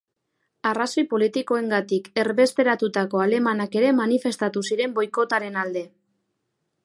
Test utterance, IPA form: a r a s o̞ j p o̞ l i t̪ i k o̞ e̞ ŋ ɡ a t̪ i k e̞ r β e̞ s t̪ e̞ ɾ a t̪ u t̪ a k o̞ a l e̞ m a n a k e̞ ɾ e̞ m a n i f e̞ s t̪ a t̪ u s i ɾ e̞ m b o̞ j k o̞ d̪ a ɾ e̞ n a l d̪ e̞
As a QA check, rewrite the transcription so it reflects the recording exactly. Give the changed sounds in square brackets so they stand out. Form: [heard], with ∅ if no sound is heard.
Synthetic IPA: a r a s o̞ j p o̞ l i t̪ i k o̞ e̞ ŋ ɡ a t̪ i k e̞ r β e̞ s t̪ e̞ ɾ a t̪ u t̪ a k o̞ a l e̞ m a n a k e̞ ɾ e̞ m a n i f e̞ s t̪ a t̪ u s i ɾ e̞ m b o̞ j k o̞ [t̪] a ɾ e̞ n a l d̪ e̞